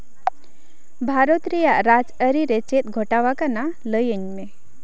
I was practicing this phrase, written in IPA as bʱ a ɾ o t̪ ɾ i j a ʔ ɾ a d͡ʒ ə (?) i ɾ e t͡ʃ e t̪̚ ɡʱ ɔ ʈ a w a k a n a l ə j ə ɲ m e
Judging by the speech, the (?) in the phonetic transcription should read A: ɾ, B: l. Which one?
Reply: A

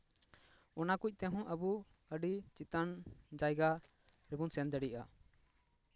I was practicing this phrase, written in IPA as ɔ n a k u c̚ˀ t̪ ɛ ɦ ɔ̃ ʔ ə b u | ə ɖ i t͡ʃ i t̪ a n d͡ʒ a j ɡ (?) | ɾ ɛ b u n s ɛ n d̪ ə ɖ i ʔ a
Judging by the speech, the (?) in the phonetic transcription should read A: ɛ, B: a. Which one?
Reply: B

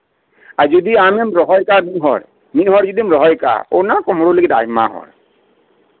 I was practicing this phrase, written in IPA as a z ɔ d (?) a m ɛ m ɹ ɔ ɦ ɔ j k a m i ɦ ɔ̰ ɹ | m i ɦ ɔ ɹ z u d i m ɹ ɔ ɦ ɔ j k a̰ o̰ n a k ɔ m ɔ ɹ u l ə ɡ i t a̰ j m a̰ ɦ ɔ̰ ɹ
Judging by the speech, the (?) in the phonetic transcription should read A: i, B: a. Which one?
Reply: A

